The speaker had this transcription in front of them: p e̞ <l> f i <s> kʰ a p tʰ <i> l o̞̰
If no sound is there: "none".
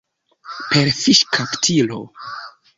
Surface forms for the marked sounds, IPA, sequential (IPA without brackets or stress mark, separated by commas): ɾ, ʃ, i